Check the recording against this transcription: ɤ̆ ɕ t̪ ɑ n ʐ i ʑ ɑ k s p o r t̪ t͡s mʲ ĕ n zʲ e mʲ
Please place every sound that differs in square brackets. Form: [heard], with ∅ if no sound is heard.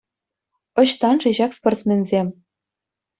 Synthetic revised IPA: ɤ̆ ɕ t̪ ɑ n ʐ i ʑ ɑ k s p o r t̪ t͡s mʲ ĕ n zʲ e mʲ